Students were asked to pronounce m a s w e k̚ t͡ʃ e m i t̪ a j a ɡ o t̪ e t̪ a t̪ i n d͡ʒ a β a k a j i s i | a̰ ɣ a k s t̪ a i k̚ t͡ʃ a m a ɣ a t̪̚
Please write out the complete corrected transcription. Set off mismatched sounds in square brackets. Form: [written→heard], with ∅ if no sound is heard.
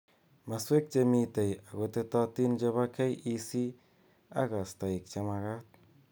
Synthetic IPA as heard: m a s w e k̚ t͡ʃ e m i t̪ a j a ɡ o t̪ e t̪ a t̪ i n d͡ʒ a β a k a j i s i | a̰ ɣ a [k→∅] s t̪ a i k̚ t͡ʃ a m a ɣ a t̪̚